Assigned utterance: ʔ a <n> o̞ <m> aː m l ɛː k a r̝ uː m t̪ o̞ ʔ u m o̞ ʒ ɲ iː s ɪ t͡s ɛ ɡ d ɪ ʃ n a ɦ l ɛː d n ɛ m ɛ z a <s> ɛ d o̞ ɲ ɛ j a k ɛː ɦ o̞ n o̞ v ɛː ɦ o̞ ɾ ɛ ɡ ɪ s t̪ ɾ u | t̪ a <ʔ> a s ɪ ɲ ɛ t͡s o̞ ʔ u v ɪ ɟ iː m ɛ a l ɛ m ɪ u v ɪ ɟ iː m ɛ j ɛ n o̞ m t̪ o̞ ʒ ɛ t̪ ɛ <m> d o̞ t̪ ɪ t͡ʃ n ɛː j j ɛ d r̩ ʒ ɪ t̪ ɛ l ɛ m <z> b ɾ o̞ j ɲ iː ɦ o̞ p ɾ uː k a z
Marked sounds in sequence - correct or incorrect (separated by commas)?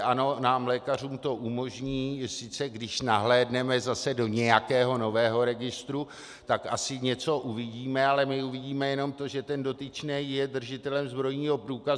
correct, incorrect, correct, incorrect, incorrect, correct